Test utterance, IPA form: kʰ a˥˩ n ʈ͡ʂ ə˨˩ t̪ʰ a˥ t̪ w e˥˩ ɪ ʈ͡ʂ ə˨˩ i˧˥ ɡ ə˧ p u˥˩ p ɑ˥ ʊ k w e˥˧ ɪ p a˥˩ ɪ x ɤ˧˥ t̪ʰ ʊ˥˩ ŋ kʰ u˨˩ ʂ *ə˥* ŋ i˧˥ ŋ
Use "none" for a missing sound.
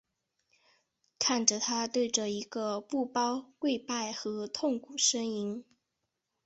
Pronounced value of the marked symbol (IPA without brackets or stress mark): ə˥